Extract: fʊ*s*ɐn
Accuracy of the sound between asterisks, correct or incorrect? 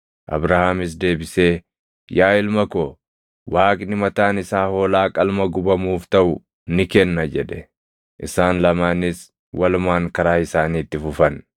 incorrect